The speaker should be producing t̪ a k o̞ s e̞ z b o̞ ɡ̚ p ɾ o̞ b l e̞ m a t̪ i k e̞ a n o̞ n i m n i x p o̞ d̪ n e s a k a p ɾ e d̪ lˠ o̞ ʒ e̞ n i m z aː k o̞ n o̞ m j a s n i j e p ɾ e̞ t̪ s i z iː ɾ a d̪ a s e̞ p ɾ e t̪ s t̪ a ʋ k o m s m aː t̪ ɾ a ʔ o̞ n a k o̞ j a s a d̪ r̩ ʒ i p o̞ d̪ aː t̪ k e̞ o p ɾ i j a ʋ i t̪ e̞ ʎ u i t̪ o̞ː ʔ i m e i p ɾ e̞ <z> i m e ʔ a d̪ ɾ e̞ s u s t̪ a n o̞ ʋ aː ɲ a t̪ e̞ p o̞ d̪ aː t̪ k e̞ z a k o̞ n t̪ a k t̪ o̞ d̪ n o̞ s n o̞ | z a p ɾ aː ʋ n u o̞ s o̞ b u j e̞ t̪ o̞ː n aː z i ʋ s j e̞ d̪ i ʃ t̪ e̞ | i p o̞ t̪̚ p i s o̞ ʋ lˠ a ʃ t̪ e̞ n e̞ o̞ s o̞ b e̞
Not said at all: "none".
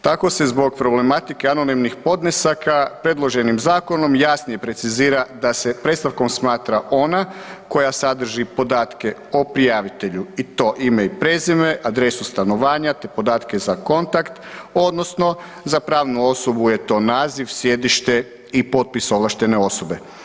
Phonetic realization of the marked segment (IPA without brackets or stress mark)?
z